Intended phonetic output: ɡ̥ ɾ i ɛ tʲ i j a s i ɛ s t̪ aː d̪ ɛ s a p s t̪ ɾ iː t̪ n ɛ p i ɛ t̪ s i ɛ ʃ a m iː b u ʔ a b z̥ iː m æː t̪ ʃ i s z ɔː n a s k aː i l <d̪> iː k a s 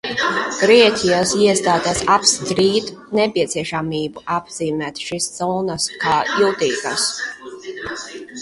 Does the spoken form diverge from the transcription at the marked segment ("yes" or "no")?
yes